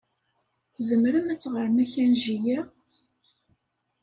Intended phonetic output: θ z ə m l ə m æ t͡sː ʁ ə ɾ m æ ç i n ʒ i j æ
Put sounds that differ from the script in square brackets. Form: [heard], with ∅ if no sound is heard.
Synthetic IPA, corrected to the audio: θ z ə m [ɾ] ə m æ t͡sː ʁ ə ɾ m æ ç [æ] n ʒ i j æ